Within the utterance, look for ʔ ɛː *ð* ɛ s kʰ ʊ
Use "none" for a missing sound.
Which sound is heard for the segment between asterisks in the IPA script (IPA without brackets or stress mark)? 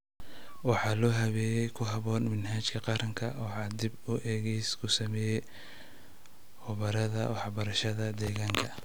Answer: ɣ